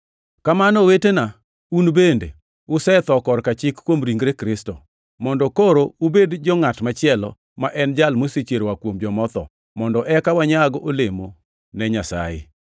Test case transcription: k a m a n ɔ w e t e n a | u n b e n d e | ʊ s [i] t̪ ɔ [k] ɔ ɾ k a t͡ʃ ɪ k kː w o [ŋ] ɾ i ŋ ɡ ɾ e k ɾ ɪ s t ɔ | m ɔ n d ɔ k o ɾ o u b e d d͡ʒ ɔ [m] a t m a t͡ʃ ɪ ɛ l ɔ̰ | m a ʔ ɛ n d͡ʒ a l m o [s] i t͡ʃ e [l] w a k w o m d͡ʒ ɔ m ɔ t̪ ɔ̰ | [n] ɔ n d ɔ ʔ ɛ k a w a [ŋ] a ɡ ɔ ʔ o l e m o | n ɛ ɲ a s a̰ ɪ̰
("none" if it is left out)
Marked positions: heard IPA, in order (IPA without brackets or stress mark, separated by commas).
ɛ, k, m, ŋ, s, ɾ, m, ɲ